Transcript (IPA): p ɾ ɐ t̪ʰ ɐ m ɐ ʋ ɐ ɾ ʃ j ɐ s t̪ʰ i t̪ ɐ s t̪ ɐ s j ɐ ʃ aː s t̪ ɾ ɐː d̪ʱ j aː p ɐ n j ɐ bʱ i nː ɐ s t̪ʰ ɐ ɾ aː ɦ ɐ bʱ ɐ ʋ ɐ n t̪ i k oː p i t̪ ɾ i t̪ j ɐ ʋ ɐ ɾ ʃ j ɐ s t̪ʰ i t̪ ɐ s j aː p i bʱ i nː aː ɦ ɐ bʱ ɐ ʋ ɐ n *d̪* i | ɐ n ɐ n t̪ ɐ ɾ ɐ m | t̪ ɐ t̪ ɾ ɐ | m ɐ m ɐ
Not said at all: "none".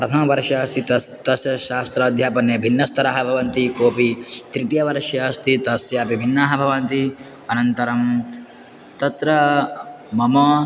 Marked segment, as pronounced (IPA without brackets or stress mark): t̪